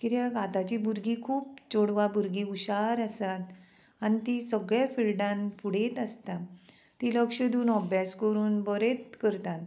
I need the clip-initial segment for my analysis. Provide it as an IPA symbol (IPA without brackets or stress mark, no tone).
k